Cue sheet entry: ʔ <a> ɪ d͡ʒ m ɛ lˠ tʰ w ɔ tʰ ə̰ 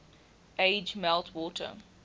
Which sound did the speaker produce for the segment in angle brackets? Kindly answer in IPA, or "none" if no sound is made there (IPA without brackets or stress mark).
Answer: e